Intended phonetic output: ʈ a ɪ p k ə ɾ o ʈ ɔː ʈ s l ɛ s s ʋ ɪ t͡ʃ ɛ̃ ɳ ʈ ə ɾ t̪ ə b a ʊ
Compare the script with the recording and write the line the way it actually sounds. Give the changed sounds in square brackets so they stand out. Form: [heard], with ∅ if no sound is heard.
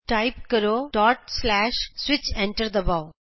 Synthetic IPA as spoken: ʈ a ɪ p k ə ɾ o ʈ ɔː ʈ s l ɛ [ʃ] s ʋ ɪ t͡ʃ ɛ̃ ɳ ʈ ə ɾ [d̪] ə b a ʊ